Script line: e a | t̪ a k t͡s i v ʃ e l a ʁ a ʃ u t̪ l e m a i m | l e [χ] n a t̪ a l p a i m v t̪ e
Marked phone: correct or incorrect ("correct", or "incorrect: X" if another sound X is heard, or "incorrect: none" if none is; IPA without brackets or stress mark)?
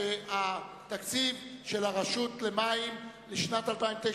incorrect: ʃ